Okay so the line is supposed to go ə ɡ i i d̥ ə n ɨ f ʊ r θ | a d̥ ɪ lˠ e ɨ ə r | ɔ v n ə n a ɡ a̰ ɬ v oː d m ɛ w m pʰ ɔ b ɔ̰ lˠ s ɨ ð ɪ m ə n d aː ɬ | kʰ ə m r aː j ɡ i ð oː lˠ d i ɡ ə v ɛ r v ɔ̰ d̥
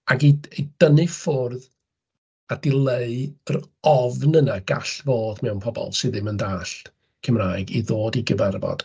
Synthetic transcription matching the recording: a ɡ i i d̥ ə n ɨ f ʊ r ð | a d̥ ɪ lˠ e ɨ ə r | ɔ v n ə n a ɡ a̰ ɬ v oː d m ɛ w n pʰ ɔ b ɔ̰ lˠ s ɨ ð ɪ m ə n d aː ɬ | kʰ ə m r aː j ɡ i ð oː d i ɡ ə v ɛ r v ɔ̰ d̥